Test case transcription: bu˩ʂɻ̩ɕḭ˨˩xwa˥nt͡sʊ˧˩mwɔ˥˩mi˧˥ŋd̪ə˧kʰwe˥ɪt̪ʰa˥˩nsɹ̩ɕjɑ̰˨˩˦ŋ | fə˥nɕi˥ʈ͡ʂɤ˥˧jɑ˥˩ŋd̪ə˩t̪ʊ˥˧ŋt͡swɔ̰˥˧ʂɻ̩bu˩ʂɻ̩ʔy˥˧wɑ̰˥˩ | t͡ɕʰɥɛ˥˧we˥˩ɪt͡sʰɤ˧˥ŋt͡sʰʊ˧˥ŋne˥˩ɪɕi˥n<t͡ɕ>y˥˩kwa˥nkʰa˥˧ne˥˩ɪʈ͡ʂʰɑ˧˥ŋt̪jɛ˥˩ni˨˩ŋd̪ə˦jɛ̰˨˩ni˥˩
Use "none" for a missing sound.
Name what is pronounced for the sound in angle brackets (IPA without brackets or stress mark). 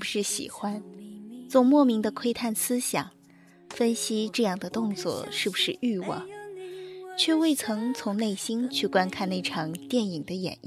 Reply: t͡ɕʰ